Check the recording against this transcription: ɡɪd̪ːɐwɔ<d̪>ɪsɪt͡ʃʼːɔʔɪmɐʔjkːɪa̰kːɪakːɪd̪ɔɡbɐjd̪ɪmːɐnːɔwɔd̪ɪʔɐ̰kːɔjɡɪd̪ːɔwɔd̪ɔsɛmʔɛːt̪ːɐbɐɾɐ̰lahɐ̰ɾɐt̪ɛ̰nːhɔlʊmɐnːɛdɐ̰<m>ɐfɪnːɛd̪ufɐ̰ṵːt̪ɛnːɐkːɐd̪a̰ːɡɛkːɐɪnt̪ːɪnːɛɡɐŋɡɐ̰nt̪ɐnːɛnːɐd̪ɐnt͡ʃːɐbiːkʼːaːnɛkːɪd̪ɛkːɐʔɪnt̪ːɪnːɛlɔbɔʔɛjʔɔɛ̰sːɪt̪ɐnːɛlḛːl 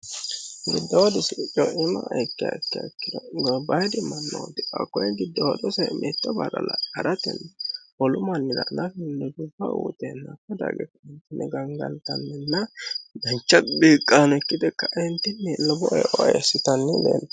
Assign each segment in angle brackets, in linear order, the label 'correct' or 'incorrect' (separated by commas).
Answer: correct, incorrect